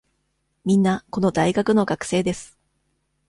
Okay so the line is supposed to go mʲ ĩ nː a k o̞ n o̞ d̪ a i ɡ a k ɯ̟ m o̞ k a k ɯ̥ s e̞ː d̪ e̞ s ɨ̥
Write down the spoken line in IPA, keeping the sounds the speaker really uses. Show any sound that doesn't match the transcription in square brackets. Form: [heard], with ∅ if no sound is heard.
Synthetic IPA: mʲ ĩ nː a k o̞ n o̞ d̪ a i ɡ a k ɯ̟ [n] o̞ [ɡ] a k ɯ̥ s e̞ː d̪ e̞ s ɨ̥